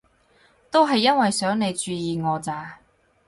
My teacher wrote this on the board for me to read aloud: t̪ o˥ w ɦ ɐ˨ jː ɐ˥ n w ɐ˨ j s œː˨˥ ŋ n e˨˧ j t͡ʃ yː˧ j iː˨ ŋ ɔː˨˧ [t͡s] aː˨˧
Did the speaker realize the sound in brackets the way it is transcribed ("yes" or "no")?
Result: yes